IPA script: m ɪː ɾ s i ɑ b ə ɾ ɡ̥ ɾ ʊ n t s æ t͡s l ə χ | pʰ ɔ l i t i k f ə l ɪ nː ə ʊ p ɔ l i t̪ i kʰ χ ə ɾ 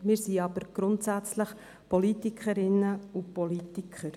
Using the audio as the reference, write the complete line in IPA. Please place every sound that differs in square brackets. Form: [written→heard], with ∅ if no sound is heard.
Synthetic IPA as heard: m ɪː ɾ s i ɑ b ə ɾ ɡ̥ ɾ ʊ n t s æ t͡s l ə χ | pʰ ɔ l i t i k [f→χ] ə [l→ɾ] ɪ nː ə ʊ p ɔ l i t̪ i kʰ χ ə ɾ

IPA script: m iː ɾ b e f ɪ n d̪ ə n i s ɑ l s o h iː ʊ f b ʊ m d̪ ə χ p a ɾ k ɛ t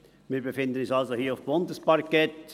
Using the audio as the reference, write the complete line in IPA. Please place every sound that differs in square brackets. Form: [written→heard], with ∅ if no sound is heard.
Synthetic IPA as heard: m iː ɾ b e f ɪ n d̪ ə n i s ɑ l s o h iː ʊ f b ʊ [m→n] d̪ ə [χ→s] p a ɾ k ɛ t

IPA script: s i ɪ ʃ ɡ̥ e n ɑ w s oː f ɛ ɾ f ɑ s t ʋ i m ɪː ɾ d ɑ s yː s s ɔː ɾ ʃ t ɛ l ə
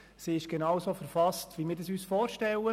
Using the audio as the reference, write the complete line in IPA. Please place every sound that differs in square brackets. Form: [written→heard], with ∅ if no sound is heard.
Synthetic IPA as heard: s i ɪ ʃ ɡ̥ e n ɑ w s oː f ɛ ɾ f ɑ s t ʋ i m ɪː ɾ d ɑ s yː s [s→f] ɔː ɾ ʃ t ɛ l ə

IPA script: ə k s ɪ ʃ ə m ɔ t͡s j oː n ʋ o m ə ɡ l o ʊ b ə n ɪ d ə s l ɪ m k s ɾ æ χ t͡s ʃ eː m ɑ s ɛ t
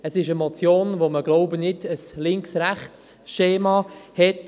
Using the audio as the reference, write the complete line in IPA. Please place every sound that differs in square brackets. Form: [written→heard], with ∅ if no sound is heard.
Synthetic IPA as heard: ə [k→∅] s ɪ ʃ ə m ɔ t͡s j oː n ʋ o m ə ɡ l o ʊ b ə n ɪ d ə s l ɪ [m→ŋ] k s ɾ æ χ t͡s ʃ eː m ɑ [s→h] ɛ t

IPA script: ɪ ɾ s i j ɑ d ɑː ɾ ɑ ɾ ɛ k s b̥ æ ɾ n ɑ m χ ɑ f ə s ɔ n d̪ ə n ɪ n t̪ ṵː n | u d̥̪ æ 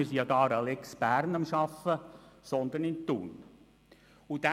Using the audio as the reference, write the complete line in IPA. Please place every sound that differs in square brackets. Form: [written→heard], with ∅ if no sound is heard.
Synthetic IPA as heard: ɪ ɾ s i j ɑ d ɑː ɾ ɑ [ɾ→l] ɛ k s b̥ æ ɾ n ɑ m [χ→ʃ] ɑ f ə s ɔ n d̪ ə n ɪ n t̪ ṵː n | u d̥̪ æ

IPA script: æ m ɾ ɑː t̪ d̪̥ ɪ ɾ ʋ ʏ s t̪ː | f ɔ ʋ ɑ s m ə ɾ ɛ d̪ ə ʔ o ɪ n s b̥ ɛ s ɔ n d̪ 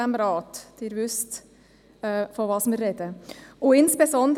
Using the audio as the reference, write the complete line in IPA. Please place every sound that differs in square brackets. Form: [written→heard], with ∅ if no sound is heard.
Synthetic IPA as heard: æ m ɾ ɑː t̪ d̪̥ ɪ ɾ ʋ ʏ s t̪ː | f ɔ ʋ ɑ s m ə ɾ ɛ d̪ ə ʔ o ɪ n s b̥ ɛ s ɔ n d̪

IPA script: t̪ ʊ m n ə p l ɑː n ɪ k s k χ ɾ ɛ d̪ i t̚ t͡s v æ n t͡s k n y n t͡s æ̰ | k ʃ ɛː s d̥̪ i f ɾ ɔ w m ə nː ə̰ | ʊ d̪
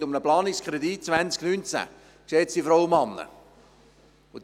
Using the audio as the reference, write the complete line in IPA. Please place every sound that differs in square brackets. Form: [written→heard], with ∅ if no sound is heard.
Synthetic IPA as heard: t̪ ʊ m n ə p l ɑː n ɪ k s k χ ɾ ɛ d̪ i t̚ t͡s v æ n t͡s k n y n t͡s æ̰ | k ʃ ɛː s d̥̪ i f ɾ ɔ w m [ə→ɑ] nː ə̰ | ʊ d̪

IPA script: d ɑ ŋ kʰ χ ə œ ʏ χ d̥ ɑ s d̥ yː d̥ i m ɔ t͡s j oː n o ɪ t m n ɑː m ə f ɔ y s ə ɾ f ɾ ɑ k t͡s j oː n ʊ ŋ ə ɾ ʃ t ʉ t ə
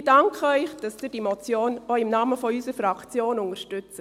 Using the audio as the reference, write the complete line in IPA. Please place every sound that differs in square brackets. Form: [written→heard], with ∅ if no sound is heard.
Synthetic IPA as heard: d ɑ ŋ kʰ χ ə œ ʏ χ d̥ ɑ s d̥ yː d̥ i m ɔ t͡s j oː n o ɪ [t→∅] m n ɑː m ə f ɔ y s ə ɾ f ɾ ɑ k t͡s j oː n ʊ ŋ ə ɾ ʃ t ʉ [t→t͡s] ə

